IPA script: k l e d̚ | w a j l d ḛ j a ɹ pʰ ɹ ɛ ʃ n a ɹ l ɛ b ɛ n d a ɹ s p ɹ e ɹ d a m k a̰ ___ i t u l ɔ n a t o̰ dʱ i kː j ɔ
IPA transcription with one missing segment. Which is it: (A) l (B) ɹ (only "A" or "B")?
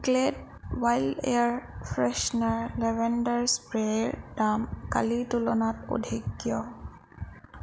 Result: A